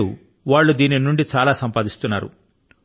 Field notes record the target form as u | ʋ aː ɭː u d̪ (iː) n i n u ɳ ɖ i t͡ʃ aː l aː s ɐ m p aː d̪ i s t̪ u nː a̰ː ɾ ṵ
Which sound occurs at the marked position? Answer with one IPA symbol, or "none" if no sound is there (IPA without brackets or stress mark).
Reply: iː